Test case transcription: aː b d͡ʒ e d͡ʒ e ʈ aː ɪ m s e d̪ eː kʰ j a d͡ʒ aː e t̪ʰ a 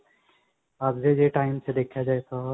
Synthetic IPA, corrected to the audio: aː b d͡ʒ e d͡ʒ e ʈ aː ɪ m s e d̪ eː kʰ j a d͡ʒ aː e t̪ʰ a